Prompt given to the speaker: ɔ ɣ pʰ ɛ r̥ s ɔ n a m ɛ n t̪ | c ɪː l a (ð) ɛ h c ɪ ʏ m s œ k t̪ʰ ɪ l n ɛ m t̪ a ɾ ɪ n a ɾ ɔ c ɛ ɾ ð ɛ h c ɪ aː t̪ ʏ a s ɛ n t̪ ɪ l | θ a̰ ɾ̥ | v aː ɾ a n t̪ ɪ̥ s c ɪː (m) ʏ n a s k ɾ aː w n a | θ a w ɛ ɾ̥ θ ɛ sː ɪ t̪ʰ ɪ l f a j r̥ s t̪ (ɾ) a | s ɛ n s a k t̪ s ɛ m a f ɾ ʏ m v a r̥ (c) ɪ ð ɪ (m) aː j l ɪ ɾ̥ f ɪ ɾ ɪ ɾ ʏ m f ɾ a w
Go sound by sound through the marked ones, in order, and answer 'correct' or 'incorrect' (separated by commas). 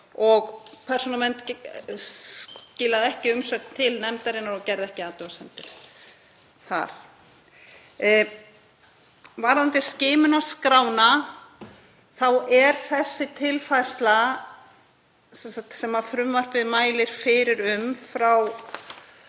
correct, correct, incorrect, incorrect, correct